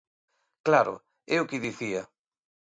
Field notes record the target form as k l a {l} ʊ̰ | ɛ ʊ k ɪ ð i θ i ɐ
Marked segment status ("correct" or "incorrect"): incorrect